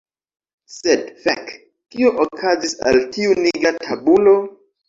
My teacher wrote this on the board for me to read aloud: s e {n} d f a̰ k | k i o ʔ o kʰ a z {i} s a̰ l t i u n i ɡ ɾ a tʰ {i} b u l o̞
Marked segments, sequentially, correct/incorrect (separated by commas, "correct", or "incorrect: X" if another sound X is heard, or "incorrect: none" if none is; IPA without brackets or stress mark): incorrect: none, correct, incorrect: a